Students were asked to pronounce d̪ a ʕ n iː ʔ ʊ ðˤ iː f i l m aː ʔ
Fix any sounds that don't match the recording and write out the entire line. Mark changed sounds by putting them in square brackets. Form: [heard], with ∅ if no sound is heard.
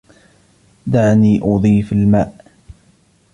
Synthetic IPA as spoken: d̪ a ʕ n iː ʔ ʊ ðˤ iː f [a] l m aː ʔ